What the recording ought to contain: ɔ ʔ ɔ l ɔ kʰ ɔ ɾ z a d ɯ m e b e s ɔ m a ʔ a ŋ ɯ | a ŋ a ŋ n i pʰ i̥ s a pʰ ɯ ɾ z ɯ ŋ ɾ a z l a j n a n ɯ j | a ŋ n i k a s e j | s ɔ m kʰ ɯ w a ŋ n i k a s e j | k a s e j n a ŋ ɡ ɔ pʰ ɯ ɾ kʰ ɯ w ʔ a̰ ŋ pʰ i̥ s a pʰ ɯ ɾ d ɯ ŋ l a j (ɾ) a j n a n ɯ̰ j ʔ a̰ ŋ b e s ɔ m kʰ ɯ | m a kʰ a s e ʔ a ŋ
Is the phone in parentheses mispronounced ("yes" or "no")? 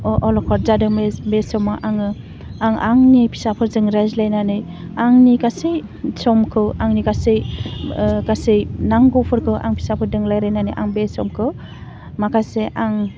no